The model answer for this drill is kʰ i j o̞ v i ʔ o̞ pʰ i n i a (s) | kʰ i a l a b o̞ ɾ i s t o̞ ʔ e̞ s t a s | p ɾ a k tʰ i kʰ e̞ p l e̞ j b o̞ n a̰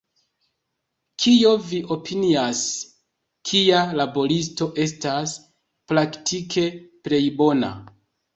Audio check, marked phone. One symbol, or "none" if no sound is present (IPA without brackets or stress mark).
s